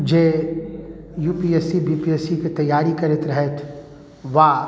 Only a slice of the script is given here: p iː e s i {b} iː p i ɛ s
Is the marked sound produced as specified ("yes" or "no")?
yes